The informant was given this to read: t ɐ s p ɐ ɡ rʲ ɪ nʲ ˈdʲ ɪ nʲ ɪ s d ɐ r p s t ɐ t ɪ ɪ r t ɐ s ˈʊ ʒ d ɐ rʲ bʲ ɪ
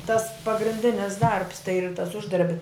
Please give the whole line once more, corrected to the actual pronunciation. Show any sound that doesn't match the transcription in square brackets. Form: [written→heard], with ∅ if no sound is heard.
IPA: t ɐ s p ɐ ɡ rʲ ɪ nʲ ˈdʲ ɪ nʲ ɪ s d ɐ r p s t ɐ [t→∅] ɪ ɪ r t ɐ s ˈʊ ʒ d ɐ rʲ bʲ ɪ